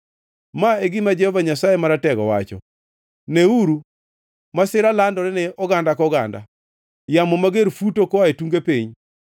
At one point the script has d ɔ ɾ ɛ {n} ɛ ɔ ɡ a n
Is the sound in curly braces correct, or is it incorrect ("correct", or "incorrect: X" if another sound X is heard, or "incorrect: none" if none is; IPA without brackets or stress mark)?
correct